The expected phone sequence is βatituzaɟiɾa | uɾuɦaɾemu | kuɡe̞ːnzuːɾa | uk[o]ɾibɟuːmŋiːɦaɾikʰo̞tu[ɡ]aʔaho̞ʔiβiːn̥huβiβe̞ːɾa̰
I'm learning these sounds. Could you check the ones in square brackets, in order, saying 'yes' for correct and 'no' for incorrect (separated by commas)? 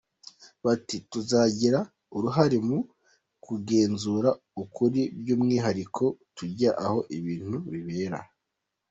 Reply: no, no